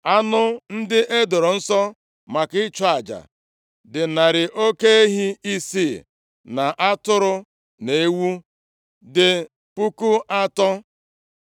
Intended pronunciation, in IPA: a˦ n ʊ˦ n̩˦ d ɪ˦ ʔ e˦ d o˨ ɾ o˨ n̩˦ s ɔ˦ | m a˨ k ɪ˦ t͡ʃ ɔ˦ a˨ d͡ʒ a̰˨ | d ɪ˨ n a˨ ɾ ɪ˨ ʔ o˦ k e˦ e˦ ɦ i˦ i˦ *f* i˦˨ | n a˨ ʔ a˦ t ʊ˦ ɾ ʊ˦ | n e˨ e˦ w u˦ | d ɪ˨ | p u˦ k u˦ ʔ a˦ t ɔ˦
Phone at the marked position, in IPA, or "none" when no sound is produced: s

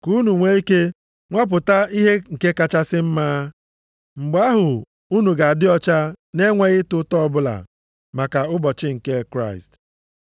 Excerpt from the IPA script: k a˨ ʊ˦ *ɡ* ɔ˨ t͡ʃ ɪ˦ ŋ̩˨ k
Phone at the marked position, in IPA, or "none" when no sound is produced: b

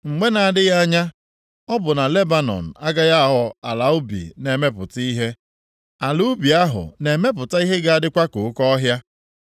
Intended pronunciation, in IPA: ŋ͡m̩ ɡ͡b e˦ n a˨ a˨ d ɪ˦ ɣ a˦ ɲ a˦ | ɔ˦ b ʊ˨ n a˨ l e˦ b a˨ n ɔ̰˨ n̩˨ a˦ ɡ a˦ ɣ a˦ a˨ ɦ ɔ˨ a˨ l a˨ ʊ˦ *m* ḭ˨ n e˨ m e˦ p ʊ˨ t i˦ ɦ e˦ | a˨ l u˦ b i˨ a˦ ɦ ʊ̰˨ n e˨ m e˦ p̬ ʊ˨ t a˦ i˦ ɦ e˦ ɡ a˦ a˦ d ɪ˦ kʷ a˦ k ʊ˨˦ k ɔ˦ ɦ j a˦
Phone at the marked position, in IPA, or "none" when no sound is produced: b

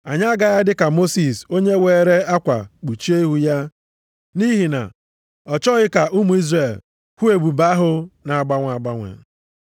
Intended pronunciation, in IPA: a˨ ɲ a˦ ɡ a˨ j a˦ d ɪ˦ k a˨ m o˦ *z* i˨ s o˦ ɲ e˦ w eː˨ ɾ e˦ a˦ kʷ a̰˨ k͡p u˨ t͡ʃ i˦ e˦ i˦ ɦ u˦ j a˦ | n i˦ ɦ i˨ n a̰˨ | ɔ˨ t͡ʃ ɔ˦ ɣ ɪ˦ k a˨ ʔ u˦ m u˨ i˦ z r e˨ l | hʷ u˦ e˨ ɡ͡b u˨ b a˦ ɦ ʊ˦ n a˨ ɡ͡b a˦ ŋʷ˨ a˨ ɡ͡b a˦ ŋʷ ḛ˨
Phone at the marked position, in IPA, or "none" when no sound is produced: s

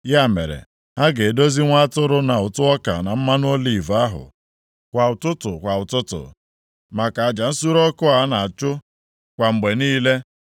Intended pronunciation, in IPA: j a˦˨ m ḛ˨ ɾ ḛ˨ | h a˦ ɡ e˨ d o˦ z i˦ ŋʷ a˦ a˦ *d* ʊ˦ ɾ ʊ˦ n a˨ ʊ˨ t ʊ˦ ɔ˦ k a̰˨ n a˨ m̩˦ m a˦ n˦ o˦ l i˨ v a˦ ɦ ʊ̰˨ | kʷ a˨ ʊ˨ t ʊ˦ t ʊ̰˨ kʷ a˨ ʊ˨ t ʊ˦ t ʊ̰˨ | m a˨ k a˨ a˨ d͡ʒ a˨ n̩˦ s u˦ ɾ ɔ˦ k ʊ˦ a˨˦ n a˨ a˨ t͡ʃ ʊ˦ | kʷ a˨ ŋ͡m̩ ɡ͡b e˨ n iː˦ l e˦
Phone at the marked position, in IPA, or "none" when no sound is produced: t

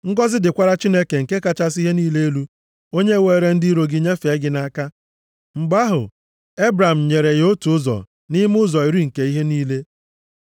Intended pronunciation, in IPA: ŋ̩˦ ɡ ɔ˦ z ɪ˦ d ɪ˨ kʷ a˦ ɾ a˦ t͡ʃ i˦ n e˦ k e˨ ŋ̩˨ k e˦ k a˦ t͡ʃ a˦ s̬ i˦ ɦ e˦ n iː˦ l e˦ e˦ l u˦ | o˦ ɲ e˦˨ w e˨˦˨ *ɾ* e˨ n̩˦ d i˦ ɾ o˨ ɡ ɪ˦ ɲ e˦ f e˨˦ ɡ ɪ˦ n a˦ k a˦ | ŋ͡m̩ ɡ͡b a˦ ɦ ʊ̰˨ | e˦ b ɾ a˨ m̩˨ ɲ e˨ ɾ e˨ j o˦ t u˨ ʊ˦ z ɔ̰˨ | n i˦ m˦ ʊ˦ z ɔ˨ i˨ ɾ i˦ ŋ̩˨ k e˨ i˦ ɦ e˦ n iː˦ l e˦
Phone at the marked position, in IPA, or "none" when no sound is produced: ɾ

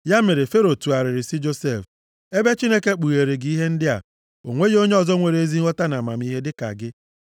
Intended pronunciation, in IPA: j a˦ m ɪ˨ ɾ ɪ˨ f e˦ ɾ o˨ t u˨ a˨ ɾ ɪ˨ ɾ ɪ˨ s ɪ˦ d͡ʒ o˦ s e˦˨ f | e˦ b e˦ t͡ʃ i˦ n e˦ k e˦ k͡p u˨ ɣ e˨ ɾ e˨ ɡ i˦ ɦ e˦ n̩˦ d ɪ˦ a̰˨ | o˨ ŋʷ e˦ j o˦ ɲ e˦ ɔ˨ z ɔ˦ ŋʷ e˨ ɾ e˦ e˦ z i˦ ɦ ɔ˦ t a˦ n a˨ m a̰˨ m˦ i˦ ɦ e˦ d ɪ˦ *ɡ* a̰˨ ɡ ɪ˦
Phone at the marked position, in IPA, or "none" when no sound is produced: k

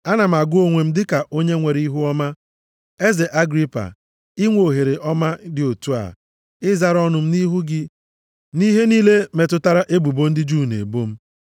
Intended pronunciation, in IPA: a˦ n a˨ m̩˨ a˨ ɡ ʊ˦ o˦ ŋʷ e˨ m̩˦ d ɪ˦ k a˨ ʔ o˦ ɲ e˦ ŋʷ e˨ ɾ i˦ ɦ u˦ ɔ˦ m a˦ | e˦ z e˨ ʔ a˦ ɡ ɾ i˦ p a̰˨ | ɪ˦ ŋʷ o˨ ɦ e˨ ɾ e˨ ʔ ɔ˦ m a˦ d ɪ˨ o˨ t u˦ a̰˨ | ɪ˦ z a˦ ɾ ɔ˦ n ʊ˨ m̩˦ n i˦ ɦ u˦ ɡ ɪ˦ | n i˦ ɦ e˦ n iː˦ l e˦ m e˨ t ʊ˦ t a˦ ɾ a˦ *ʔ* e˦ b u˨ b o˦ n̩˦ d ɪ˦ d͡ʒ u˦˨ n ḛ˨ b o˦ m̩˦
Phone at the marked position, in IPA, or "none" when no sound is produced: ʔ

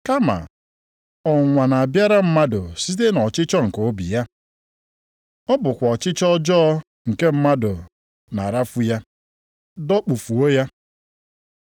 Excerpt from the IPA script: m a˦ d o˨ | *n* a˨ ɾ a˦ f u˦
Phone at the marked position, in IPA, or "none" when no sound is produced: n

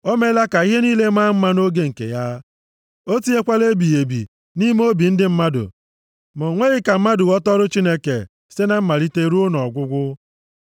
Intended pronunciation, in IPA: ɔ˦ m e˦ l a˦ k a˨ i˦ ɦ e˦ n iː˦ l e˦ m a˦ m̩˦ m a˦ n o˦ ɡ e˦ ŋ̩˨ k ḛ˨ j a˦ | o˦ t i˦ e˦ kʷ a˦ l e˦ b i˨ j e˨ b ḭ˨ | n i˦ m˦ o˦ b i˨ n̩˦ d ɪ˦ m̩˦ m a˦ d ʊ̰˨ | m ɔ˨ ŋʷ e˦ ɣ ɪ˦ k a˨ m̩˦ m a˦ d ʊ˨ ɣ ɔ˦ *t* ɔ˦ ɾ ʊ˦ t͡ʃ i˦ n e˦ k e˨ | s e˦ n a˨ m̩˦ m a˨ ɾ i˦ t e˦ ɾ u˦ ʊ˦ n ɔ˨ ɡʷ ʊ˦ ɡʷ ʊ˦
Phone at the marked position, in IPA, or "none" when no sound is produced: t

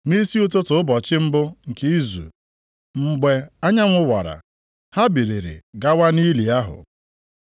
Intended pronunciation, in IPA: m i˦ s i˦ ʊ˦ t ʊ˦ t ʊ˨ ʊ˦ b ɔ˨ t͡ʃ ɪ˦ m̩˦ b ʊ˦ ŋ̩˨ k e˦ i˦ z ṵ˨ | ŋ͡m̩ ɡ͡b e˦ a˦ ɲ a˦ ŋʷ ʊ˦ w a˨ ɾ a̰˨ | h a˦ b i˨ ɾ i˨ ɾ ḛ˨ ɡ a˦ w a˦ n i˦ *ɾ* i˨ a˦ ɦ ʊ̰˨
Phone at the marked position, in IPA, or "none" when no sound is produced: l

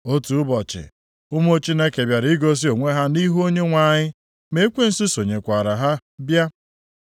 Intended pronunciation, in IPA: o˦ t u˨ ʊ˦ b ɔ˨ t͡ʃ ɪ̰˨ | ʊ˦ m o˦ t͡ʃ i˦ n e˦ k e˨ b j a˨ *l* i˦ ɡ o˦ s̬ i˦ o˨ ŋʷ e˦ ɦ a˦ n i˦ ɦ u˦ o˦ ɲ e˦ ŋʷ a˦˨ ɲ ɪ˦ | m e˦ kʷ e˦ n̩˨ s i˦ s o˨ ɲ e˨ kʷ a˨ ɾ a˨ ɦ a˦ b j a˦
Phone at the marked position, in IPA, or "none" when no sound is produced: ɾ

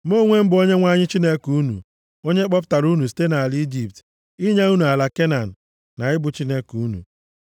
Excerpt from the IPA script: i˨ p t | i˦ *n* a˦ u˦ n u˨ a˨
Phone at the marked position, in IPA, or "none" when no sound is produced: ɲ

